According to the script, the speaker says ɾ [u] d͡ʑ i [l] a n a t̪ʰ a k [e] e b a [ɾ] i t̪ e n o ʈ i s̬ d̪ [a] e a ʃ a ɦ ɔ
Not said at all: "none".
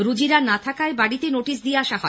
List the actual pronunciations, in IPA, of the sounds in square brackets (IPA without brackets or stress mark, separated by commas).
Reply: u, ɾ, a, ɽ, i